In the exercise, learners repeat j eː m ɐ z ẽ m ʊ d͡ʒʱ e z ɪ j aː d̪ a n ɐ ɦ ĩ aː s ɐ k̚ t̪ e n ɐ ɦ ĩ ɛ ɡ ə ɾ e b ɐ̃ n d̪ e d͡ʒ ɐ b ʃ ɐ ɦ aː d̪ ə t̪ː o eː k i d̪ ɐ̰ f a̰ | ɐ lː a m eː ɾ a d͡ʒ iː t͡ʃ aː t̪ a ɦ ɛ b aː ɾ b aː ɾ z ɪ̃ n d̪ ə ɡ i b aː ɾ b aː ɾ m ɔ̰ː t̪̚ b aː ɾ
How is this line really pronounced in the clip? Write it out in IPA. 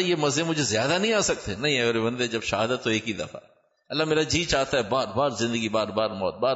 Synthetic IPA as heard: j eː m ɐ z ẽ m ʊ d͡ʒʱ e z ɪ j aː d̪ a n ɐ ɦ ĩ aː s ɐ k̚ t̪ e n ɐ ɦ ĩ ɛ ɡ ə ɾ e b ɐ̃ n d̪ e d͡ʒ ɐ b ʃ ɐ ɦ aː d̪ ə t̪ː o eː k i d̪ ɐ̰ f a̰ | ɐ lː a m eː ɾ a d͡ʒ iː t͡ʃ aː t̪ a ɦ ɛ b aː ɾ b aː ɾ z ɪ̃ n d̪ ə ɡ i b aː ɾ b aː ɾ m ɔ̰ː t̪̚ b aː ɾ